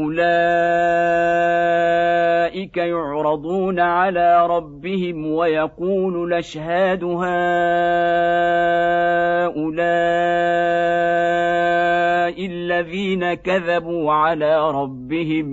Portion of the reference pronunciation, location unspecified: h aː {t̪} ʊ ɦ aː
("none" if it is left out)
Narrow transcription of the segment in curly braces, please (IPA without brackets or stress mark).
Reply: d̪